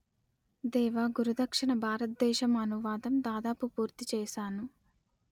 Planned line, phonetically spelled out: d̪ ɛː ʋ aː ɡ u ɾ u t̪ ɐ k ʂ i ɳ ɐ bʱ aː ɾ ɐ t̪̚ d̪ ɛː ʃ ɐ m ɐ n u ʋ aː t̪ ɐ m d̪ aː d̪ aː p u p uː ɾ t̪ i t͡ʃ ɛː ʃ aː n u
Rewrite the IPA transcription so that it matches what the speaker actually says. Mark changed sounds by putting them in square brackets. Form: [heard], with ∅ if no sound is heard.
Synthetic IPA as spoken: d̪ ɛː ʋ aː ɡ u ɾ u [d̪] ɐ k ʂ i ɳ ɐ bʱ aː ɾ ɐ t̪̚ d̪ ɛː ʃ ɐ m ɐ n u ʋ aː [d̪] ɐ m d̪ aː d̪ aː p u p uː ɾ t̪ i t͡ʃ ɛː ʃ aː n u